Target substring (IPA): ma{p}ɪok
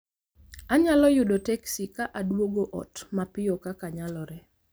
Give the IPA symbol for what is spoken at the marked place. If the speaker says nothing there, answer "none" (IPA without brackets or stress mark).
p